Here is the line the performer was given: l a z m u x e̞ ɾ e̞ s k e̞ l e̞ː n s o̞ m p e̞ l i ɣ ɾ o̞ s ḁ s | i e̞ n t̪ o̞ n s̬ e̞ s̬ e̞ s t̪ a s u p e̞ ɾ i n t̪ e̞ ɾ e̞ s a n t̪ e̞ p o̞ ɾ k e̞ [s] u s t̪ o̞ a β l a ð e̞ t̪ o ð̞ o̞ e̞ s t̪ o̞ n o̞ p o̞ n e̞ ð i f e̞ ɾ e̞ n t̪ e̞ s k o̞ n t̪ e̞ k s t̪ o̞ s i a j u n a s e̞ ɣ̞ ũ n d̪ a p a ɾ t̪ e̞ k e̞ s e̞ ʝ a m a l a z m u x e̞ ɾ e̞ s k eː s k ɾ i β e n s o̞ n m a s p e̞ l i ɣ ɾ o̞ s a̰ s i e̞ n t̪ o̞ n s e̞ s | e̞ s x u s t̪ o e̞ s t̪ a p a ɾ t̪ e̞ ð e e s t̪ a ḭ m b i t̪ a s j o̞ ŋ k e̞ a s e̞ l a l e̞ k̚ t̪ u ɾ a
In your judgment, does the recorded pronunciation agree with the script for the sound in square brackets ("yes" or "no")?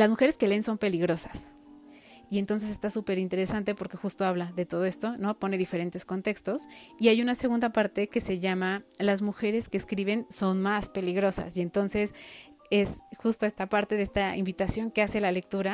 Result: no